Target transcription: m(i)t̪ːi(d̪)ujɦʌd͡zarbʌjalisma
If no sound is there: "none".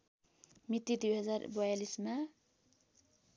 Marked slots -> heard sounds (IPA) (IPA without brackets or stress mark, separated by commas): i, d̪